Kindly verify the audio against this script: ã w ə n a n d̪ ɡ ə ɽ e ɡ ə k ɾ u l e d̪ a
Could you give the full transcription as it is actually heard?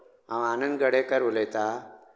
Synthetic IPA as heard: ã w a n ə n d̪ ɡ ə ɽ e k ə ɾ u l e t̪ a